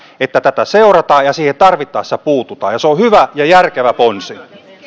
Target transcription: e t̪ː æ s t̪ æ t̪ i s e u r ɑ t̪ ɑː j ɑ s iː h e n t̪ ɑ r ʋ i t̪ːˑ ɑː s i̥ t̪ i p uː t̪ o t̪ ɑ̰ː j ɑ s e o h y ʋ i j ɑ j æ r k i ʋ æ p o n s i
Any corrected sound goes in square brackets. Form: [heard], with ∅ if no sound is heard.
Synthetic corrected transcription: e t̪ː æ [∅] t̪ æ t̪ [æ] s e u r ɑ t̪ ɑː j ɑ s iː h e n t̪ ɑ r ʋ i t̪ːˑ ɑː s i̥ t̪ [æ] p uː t̪ [u] t̪ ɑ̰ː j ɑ s e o h y ʋ [æ] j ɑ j æ r k [e] ʋ æ p o n s i